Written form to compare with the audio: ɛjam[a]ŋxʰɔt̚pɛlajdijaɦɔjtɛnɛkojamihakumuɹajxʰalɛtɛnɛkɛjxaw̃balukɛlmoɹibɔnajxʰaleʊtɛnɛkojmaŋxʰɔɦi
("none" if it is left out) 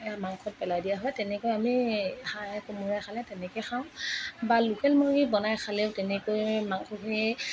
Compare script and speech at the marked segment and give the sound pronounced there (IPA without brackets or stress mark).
a